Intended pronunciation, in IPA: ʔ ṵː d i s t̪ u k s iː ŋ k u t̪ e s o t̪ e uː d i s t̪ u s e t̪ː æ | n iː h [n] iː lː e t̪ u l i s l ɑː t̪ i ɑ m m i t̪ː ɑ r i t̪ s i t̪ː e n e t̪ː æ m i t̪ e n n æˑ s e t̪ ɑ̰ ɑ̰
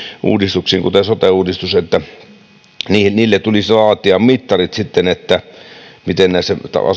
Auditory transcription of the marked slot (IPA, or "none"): n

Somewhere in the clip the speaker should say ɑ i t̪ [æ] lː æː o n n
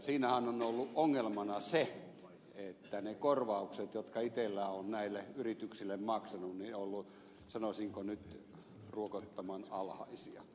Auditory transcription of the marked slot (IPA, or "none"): e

